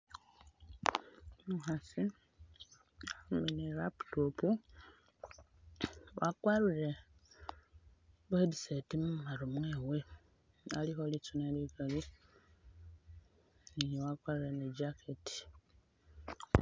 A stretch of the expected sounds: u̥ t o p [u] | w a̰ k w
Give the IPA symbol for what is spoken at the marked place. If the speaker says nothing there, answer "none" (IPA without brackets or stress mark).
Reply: u